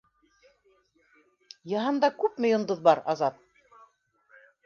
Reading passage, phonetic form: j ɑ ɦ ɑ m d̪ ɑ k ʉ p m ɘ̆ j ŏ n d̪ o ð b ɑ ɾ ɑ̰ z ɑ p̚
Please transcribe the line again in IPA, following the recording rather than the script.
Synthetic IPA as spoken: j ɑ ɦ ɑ n d̪ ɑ k ʉ p m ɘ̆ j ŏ n d̪ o ð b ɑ ɾ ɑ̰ z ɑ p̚